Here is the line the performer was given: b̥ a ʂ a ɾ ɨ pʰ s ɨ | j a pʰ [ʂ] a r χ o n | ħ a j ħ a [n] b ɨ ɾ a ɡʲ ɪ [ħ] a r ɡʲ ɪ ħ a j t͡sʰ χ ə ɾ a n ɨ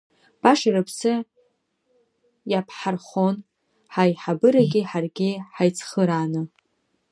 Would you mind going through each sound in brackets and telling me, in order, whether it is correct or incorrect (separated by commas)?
incorrect, incorrect, correct